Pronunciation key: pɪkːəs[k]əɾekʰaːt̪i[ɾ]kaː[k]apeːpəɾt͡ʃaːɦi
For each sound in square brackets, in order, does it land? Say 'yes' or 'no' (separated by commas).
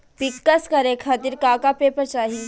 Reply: yes, yes, yes